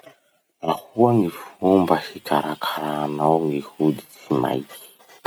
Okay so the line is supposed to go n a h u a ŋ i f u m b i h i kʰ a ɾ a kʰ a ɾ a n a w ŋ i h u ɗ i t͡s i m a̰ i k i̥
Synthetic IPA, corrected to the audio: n a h u a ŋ i f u m b a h i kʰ a ɾ a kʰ a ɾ a n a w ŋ i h u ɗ i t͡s i m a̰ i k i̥